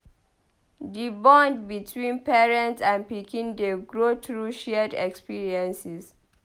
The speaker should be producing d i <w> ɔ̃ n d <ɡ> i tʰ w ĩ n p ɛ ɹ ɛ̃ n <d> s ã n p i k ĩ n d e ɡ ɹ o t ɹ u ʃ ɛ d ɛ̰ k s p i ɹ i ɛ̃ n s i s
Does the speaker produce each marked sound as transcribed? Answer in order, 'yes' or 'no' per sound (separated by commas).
no, no, no